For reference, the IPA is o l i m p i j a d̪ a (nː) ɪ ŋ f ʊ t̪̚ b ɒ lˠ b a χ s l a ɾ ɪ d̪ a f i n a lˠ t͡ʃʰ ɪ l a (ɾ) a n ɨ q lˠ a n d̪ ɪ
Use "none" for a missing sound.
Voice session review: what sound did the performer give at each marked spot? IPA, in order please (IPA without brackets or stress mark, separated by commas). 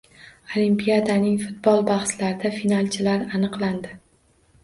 n, ɾ